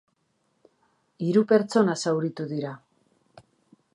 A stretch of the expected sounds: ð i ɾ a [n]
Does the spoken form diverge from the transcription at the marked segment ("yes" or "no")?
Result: yes